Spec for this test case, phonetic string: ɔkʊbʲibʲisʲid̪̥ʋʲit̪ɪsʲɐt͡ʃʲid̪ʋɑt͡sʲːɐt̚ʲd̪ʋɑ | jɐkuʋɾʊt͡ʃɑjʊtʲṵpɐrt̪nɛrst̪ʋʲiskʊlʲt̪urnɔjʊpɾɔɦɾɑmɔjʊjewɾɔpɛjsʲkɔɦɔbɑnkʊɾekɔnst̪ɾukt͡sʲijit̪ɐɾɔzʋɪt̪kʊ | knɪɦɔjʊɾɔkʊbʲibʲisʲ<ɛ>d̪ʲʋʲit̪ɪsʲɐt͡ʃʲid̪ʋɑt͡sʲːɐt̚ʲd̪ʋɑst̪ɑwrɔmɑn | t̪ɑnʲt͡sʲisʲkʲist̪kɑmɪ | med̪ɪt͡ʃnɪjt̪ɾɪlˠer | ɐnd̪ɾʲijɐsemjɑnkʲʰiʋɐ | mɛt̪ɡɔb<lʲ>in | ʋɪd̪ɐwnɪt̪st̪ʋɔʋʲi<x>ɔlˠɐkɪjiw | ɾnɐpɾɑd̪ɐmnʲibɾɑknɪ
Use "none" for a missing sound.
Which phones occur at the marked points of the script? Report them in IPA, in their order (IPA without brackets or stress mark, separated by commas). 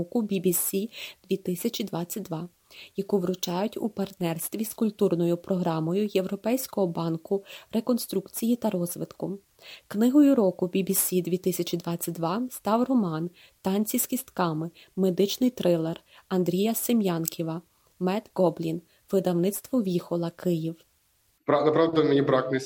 i, lʲ, x